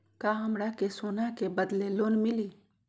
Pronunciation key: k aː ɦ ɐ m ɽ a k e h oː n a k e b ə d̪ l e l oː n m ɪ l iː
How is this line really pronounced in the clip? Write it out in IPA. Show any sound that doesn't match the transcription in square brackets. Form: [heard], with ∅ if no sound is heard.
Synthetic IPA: k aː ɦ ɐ m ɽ a k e [s] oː n a k e b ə d̪ l e l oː n m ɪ l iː

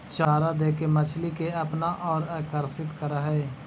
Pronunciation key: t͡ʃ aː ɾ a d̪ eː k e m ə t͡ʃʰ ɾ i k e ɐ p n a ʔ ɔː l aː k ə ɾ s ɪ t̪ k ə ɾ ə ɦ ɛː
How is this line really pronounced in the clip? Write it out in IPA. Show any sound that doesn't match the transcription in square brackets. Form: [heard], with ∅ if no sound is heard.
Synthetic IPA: t͡ʃ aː ɾ a d̪ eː k e m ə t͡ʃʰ [l] i k e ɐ p n a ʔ ɔː [ɾ] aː k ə ɾ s ɪ t̪ k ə ɾ [a] ɦ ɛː

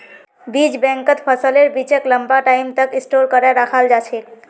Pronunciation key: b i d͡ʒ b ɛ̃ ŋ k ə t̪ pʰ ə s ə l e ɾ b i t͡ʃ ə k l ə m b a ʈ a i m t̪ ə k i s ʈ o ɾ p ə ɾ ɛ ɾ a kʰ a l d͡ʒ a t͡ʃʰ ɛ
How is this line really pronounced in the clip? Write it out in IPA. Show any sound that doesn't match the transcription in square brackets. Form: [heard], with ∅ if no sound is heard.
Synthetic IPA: b i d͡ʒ b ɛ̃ ŋ k ə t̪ pʰ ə s ə l e ɾ b i t͡ʃ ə k l ə m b a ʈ a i m t̪ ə k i s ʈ o ɾ [k] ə ɾ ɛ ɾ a kʰ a l d͡ʒ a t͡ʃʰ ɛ

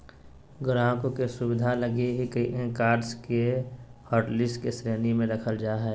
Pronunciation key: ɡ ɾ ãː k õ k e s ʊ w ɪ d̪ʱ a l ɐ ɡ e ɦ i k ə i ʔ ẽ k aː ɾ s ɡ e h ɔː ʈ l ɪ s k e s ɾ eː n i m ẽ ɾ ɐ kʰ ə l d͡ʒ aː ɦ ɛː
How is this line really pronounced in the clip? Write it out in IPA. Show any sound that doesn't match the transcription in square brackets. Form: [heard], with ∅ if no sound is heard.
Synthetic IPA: ɡ ɾ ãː k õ k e s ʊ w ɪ d̪ʱ a l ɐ ɡ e ɦ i k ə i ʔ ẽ k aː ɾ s [k] e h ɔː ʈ l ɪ s k e s ɾ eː n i m ẽ ɾ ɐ kʰ ə l d͡ʒ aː ɦ ɛː

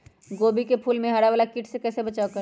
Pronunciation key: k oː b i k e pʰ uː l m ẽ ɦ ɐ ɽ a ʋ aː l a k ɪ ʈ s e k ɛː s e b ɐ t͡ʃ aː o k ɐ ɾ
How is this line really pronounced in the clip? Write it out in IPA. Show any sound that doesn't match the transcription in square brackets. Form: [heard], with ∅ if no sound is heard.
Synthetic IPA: [ɡ] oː b i k e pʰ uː l m ẽ ɦ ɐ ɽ a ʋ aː l a k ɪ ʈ s e k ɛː s e b ɐ t͡ʃ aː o k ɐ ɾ

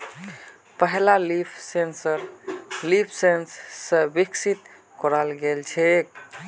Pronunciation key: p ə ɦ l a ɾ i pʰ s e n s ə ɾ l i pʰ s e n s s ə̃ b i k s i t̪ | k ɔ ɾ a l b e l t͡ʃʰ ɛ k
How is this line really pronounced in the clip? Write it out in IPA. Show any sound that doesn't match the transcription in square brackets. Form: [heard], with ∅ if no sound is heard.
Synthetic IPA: p ə ɦ l a [l] i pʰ s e n s ə ɾ l i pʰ s e n s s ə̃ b i k s i t̪ | k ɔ ɾ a l [ɡ] e l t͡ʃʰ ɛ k

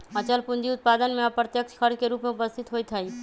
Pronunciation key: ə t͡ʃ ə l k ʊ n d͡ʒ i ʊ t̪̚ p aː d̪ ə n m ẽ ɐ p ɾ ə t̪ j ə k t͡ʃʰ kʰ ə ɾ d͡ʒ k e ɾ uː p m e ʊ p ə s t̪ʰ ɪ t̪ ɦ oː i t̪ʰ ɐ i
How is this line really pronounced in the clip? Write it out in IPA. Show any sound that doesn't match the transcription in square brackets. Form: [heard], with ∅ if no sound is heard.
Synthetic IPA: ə t͡ʃ ə l [p] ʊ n d͡ʒ i ʊ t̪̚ p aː d̪ ə n m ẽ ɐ p ɾ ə t̪ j ə k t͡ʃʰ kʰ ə ɾ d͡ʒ k e ɾ uː p m e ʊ p ə s t̪ʰ ɪ t̪ ɦ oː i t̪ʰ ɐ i

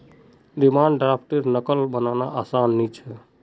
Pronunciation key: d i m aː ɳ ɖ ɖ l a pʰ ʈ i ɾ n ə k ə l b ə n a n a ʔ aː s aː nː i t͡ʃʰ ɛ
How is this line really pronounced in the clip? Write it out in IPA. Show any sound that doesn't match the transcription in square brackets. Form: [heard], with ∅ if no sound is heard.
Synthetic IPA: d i m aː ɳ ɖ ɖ [ɾ] a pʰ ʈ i ɾ n ə k ə l b ə n a n a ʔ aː s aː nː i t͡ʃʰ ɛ

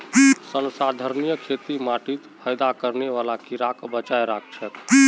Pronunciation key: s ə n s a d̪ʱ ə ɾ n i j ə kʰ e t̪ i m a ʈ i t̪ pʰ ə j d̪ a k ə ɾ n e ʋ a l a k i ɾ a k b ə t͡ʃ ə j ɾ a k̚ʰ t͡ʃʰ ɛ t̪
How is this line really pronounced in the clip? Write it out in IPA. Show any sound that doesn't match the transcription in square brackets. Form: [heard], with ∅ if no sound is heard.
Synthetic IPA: s ə n s a d̪ʱ ə ɾ n i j ə kʰ e t̪ i m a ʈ i t̪ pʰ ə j d̪ a k ə ɾ n e ʋ a l a k i ɾ a k b ə t͡ʃ [a] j ɾ a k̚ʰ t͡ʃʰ ɛ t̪

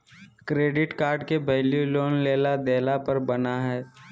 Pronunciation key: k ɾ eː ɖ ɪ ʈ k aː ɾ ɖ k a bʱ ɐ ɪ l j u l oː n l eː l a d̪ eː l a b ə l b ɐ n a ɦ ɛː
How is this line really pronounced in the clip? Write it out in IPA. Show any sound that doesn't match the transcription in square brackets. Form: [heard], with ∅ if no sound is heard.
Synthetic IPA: k ɾ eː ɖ ɪ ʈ k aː ɾ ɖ k [e] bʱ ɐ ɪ l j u l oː n l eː l a d̪ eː l a [p] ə [ɾ] b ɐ n a ɦ ɛː

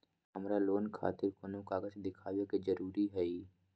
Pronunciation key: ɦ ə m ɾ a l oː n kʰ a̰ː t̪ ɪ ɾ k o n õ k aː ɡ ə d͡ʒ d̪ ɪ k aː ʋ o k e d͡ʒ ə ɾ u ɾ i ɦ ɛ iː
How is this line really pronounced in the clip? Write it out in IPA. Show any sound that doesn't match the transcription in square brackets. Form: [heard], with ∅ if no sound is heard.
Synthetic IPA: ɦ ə m ɾ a l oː n kʰ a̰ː t̪ ɪ ɾ k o n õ k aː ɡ ə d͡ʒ d̪ ɪ [kʰ] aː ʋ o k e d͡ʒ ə ɾ [uː] ɾ i ɦ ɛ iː

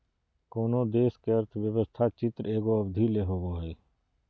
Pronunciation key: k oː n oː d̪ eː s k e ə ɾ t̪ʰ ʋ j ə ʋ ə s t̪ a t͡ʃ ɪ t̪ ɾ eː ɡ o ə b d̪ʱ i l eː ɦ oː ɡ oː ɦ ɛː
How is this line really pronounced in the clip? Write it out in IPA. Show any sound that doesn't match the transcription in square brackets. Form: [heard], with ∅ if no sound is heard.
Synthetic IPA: k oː n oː d̪ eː s k e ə ɾ t̪ʰ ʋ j ə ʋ ə s [t̪ʰ] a t͡ʃ ɪ t̪ ɾ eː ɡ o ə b d̪ʱ i l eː ɦ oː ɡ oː ɦ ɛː

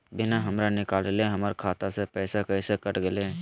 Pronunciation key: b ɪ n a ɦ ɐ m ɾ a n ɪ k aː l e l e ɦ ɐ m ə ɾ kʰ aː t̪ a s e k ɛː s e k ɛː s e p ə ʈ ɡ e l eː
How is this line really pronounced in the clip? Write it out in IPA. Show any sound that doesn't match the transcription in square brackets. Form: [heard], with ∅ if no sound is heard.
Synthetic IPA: b ɪ n a ɦ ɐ m ɾ a n ɪ k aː l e l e ɦ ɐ m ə ɾ kʰ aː t̪ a s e [p] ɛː s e k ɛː s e [k] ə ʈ ɡ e l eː

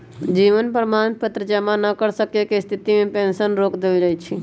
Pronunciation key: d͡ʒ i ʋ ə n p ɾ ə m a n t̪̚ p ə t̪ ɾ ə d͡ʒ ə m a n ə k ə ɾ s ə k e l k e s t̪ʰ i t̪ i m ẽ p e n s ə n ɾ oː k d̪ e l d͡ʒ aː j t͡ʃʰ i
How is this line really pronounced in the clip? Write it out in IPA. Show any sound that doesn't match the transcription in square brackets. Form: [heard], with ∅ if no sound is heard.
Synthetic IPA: d͡ʒ i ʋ ə n p ɾ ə m a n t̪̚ p ə t̪ ɾ ə d͡ʒ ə m a n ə k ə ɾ s ə k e [∅] k e s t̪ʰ i t̪ i m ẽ p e n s ə n ɾ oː k d̪ e l d͡ʒ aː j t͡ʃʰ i

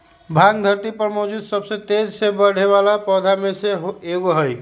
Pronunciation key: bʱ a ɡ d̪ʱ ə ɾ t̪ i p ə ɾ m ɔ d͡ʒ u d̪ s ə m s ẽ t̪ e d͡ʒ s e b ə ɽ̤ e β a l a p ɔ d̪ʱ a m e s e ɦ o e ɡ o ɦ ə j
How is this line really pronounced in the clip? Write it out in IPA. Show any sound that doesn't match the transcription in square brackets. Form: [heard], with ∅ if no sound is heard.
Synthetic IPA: bʱ a ɡ d̪ʱ ə ɾ t̪ i p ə ɾ m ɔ d͡ʒ u d̪ s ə [b] s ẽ t̪ e d͡ʒ s e b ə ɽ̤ e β a l a p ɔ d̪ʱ a m e s e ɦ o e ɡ o ɦ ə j

